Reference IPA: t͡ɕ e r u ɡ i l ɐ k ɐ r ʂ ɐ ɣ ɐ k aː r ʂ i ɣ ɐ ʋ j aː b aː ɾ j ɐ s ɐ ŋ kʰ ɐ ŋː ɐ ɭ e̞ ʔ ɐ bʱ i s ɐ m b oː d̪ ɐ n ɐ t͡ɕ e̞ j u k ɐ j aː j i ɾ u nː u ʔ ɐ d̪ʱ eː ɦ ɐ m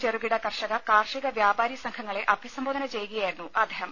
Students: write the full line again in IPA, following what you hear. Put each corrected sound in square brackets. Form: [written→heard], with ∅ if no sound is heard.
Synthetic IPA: t͡ɕ e r u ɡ i [l→ɽ] ɐ k ɐ r ʂ ɐ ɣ ɐ k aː r ʂ i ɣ ɐ ʋ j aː b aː ɾ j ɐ s ɐ ŋ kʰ ɐ ŋː ɐ ɭ e̞ ʔ ɐ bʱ i s ɐ m b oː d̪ ɐ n ɐ t͡ɕ e̞ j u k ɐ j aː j i ɾ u nː u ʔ ɐ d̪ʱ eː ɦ ɐ m